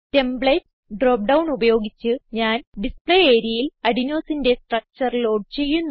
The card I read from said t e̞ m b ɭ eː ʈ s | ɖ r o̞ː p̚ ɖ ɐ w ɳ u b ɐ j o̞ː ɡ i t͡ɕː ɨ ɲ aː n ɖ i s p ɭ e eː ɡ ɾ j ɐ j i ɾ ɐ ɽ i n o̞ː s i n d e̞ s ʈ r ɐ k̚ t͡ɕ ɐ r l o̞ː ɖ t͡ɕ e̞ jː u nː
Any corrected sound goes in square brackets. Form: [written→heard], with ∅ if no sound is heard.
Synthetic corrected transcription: t e̞ m b ɭ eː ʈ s | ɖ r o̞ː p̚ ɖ ɐ w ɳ u b ɐ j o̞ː ɡ i t͡ɕː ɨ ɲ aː n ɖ i s p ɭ e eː [ɡ→∅] ɾ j ɐ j i [ɾ→l] ɐ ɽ i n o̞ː s i n d e̞ s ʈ r ɐ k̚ t͡ɕ ɐ r l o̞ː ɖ t͡ɕ e̞ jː u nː

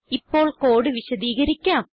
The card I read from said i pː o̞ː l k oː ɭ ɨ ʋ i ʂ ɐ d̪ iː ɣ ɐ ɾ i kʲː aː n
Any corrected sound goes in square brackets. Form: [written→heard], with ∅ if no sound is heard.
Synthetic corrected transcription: i pː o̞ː [l→ɭ] k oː [ɭ→ɽ] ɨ ʋ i [ʂ→ɕ] ɐ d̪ iː ɣ ɐ ɾ i kʲː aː [n→m]

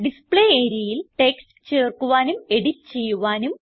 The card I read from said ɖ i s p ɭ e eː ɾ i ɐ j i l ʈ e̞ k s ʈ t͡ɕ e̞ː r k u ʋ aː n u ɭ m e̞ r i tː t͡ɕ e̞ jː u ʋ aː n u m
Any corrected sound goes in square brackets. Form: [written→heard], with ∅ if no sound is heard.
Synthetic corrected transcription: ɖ i s p ɭ e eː ɾ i ɐ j i l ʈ e̞ k s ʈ t͡ɕ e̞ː r k u ʋ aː n u [ɭ→∅] m e̞ [r→ɽ] i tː t͡ɕ e̞ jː u ʋ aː n u m

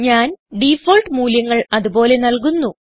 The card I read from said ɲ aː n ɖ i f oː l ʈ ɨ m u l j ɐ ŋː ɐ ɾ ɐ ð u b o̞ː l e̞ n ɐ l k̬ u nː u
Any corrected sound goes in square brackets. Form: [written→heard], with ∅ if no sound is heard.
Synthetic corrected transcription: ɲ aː n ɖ i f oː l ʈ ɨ m [u→uː] l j ɐ ŋː ɐ [ɾ→ɭ] ɐ ð u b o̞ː l e̞ n ɐ l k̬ u nː u

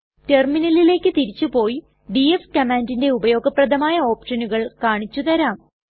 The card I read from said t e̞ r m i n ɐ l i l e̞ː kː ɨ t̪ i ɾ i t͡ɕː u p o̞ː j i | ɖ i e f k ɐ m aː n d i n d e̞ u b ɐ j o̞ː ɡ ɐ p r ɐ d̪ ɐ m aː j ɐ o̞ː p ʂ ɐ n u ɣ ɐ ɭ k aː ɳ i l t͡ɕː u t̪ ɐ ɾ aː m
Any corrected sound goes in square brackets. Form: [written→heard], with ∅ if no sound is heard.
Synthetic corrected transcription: t e̞ r m i n ɐ l i l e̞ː kː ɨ t̪ i ɾ i t͡ɕː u p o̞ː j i | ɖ i e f k ɐ m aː n d i n d e̞ u b ɐ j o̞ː ɡ ɐ p r ɐ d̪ ɐ m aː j ɐ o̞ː p ʂ ɐ n u ɣ ɐ ɭ k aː ɳ i [l→∅] t͡ɕː u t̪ ɐ ɾ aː m

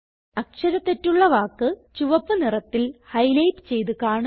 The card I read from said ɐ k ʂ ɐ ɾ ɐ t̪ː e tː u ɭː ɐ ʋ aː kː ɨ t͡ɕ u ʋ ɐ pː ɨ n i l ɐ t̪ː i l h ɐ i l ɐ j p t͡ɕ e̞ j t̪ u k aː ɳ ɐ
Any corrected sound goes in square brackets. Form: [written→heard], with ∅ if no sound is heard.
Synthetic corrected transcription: ɐ k ʂ ɐ ɾ ɐ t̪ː e tː u ɭː ɐ ʋ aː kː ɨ t͡ɕ u ʋ ɐ pː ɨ n i [l→r] ɐ t̪ː i l h ɐ [i→j] l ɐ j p t͡ɕ e̞ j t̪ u k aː ɳ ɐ

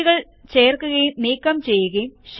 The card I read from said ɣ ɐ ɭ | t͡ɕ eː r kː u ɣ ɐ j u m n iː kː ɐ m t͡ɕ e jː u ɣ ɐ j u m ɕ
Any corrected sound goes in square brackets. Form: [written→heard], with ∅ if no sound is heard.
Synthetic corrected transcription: ɣ ɐ ɭ | t͡ɕ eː r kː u ɣ ɐ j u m n iː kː ɐ m t͡ɕ e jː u ɣ ɐ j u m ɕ

